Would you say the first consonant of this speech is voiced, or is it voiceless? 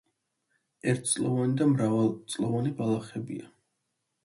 voiced